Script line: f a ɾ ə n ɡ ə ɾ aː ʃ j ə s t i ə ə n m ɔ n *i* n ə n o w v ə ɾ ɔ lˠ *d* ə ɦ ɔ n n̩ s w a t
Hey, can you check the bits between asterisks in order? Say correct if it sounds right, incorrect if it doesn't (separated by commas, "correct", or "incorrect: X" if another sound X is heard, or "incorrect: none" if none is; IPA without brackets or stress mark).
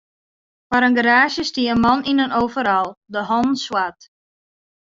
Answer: correct, correct